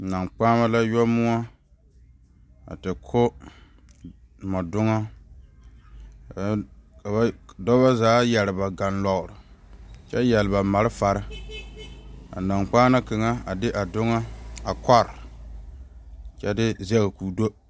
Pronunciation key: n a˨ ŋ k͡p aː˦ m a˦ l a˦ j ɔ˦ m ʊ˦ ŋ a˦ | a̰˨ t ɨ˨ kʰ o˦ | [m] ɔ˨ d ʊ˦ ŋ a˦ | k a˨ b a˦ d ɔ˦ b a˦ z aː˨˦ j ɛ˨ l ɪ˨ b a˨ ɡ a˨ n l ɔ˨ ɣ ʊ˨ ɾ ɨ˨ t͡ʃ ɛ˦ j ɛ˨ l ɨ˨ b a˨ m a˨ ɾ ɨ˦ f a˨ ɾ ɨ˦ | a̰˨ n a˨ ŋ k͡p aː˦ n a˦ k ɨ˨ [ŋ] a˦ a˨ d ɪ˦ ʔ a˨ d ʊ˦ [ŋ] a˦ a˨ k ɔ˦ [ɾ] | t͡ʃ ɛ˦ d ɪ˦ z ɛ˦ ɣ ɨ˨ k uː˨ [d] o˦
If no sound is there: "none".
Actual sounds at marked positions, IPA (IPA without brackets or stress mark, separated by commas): m, ŋ, ŋ, ɾ, d